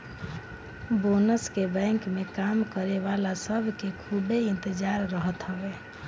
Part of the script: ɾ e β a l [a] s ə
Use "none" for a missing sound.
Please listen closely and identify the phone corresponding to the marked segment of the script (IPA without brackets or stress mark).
a